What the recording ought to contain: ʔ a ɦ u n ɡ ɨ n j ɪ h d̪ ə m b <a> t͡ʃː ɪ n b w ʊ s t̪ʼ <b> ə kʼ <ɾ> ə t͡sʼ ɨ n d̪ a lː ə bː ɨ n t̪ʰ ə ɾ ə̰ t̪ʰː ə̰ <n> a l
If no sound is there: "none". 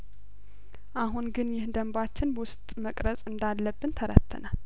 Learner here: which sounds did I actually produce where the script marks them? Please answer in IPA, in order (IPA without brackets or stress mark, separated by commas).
a, m, ɾ, n